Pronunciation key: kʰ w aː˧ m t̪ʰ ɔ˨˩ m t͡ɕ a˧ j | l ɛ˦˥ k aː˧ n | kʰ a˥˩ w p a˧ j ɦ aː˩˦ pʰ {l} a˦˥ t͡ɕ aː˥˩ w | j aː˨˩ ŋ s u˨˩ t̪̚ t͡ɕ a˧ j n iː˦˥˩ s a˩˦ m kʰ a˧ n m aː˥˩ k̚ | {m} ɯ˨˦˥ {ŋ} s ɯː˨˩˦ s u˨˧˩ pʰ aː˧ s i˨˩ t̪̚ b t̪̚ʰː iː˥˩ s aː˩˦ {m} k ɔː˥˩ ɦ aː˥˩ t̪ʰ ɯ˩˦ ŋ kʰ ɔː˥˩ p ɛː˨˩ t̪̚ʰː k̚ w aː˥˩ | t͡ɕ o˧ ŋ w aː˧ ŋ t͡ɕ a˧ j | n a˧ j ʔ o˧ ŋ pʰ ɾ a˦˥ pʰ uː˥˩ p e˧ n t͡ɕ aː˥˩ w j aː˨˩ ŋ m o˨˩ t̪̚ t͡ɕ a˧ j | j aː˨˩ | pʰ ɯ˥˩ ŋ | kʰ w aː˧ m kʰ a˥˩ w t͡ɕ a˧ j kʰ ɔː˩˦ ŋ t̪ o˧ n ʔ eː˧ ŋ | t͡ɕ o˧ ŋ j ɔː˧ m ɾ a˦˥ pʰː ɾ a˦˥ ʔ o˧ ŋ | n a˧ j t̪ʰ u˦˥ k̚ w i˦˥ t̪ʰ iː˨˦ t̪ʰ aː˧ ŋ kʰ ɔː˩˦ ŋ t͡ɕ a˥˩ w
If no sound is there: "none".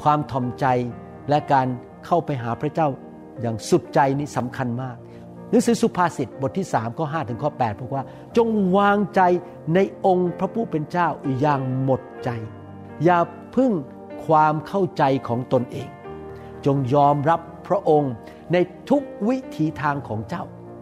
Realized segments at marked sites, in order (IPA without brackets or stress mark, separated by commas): ɾ, n, ŋ, m